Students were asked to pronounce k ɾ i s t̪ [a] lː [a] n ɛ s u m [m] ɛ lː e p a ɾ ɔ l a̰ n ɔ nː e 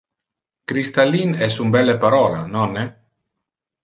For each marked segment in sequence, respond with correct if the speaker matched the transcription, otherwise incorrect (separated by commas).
correct, incorrect, incorrect